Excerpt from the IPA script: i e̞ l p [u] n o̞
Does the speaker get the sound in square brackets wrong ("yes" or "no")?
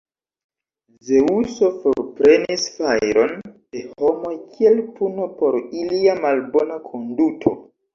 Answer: no